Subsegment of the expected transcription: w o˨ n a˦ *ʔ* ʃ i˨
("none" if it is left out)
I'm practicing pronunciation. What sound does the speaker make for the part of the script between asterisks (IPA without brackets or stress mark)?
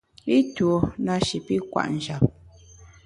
none